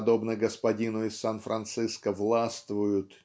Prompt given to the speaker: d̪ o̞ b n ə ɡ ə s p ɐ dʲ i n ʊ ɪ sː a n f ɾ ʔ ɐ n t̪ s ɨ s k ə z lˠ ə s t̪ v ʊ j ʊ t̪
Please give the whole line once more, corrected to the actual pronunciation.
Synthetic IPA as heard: d̪ o̞ b n ə ɡ ə s p ɐ dʲ i n ʊ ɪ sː a n f ɾ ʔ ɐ n t̪ s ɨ s k ə v lˠ a s t̪ v ʊ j ʊ t̪